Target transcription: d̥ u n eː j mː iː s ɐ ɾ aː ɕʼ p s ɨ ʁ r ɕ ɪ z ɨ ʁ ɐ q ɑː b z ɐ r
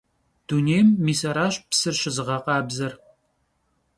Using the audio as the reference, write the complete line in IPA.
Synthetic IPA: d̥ u n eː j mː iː s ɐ ɾ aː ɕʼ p s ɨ r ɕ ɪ z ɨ ʁ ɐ q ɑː b z ɐ r